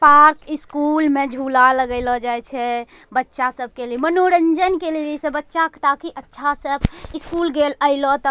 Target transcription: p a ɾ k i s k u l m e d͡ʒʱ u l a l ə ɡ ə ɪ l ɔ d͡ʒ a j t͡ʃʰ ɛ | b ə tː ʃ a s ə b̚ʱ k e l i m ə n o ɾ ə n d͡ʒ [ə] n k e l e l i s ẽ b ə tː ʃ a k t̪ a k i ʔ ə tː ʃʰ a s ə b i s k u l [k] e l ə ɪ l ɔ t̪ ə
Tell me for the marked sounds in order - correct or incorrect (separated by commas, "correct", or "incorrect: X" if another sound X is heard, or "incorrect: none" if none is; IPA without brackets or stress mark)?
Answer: correct, incorrect: ɡ